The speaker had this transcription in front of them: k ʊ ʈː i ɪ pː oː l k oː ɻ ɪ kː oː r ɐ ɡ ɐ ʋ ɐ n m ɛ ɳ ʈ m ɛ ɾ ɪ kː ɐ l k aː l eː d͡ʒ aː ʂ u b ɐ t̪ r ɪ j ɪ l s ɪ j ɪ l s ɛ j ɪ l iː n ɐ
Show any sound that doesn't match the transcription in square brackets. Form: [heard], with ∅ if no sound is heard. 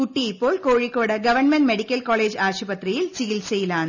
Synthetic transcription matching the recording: k ʊ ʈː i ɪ pː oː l k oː ɻ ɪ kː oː [ɽ] ɐ ɡ ɐ ʋ ɐ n m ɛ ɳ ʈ m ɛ [ɽ] ɪ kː ɐ l k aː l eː d͡ʒ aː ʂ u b ɐ t̪ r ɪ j ɪ l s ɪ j ɪ l s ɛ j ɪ l [aː] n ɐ